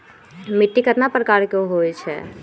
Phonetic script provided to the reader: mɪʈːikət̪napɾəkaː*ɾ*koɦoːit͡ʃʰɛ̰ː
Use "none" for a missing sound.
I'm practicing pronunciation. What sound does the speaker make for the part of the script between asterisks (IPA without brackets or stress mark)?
ɾ